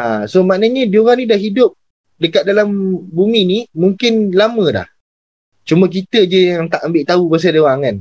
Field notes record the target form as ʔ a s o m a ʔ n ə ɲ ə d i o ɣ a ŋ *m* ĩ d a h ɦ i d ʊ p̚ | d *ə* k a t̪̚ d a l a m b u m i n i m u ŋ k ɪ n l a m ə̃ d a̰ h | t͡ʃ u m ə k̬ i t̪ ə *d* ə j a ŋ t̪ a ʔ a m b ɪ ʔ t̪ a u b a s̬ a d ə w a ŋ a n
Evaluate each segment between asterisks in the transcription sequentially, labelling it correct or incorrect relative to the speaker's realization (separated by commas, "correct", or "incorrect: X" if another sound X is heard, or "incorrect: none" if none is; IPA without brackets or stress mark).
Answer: incorrect: n, correct, incorrect: d͡ʒ